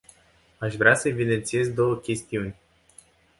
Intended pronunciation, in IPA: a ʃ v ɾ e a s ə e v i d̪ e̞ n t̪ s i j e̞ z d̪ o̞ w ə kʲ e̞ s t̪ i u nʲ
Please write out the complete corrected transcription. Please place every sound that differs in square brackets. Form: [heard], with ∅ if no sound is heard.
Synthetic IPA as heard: a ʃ v ɾ e a s ə e v i d̪ e̞ n t̪ s i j e̞ z d̪ o̞ w ə kʲ e̞ s t̪ i u nʲ